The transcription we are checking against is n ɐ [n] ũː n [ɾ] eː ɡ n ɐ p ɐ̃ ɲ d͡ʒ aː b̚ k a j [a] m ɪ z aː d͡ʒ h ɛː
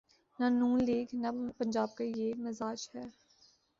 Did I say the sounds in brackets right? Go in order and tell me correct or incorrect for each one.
correct, incorrect, incorrect

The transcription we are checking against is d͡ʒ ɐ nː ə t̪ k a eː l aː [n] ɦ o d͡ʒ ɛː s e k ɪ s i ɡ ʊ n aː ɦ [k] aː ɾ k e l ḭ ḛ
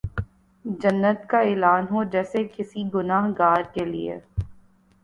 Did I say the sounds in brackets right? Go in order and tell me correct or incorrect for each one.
correct, incorrect

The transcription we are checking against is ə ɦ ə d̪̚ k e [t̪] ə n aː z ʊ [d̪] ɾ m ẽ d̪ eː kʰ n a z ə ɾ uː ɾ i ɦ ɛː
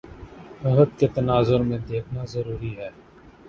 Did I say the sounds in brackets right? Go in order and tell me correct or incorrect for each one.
correct, incorrect

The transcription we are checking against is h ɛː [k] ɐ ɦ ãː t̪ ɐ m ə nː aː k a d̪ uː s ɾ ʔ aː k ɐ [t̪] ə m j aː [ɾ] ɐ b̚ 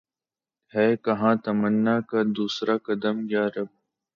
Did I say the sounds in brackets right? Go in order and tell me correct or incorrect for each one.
correct, incorrect, correct

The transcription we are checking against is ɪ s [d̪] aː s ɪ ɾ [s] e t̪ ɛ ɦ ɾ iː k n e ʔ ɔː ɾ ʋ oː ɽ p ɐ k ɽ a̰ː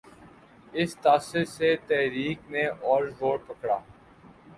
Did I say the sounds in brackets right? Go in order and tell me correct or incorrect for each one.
incorrect, correct

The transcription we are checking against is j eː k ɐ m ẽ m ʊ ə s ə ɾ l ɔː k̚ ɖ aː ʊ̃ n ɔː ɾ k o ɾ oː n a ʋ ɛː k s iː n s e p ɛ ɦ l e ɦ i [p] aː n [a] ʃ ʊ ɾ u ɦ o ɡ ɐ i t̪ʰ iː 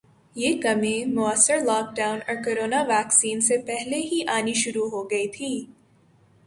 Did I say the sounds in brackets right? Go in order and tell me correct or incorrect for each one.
incorrect, incorrect

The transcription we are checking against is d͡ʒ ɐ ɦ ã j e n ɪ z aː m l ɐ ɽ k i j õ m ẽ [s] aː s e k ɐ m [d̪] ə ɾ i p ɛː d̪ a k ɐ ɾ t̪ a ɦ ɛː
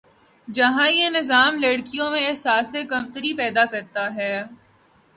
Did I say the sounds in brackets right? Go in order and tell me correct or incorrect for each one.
correct, incorrect

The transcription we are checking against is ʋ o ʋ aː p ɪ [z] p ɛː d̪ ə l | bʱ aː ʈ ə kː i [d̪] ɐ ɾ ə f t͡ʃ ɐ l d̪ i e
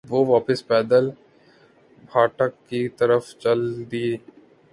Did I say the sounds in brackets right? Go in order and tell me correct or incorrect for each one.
incorrect, incorrect

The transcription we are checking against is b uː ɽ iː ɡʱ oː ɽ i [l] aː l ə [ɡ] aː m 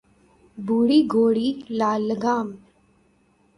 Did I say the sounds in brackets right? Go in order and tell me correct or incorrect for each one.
correct, correct

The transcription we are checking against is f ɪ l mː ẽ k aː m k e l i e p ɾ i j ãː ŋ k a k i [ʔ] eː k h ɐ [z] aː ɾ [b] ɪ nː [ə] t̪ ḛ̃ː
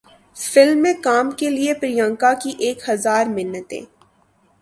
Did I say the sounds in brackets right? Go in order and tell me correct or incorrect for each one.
correct, correct, incorrect, correct

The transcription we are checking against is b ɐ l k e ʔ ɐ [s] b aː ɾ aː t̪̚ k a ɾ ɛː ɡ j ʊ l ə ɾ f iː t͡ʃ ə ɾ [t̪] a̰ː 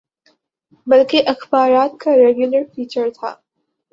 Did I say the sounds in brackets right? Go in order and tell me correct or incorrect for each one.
incorrect, incorrect

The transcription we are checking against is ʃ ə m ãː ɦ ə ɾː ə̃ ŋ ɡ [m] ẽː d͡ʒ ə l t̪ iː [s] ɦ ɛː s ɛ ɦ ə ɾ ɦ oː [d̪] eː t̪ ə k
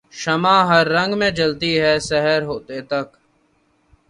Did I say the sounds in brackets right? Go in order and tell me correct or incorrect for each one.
correct, incorrect, incorrect

